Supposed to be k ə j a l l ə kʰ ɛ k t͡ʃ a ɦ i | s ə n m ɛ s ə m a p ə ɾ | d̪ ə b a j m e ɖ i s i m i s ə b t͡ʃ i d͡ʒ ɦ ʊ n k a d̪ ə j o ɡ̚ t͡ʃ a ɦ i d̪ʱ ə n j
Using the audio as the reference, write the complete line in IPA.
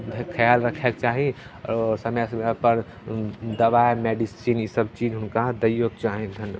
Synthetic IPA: kʰ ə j a l ɾ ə kʰ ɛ k t͡ʃ a ɦ i | s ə m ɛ s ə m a p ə ɾ | d̪ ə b a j m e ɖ i s i n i s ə b t͡ʃ i d͡ʒ ɦ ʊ n k a d̪ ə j o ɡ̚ t͡ʃ a ɦ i d̪ʱ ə n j